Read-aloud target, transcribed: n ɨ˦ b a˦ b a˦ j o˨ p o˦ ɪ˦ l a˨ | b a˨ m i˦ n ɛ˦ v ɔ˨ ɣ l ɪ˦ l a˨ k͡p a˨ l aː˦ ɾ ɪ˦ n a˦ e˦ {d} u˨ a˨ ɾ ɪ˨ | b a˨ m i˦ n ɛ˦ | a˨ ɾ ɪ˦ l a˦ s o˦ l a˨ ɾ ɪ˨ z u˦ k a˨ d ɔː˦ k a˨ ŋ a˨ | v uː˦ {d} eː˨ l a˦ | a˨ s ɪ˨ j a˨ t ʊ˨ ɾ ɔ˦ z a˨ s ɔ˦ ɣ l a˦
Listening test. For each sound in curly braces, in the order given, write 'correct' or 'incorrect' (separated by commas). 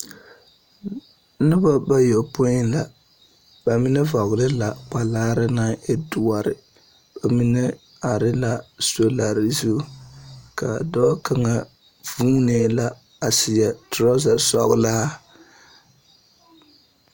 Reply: correct, incorrect